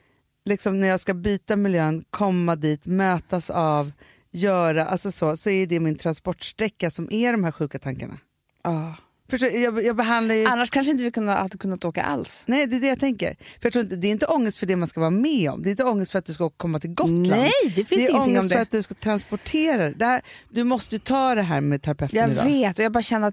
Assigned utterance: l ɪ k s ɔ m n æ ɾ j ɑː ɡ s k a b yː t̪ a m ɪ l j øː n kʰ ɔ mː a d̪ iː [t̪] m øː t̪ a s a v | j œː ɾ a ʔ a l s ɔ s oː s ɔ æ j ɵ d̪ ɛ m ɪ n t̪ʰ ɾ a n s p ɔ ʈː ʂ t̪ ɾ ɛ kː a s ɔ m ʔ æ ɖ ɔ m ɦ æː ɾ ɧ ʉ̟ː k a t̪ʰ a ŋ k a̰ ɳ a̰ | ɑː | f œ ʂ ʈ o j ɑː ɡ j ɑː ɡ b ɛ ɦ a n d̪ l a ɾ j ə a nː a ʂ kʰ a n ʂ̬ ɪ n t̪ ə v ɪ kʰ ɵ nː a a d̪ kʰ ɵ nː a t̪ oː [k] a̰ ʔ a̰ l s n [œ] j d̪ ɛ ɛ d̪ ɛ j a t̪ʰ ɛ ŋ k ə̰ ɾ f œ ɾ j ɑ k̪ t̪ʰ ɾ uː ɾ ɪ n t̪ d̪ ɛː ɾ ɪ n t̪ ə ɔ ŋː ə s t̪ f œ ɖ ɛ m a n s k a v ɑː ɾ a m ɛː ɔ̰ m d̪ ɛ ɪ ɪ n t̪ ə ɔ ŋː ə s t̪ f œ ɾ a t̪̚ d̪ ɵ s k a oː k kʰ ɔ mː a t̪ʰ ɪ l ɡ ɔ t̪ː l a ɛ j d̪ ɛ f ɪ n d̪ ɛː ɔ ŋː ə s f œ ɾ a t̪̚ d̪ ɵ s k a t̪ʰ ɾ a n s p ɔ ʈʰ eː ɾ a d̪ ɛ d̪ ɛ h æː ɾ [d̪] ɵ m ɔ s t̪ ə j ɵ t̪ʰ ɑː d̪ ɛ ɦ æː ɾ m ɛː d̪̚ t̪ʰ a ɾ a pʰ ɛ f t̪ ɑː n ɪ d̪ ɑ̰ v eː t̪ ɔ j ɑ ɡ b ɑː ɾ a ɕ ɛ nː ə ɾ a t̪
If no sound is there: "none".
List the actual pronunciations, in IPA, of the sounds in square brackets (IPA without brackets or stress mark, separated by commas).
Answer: t̪, k, ɛ, d̪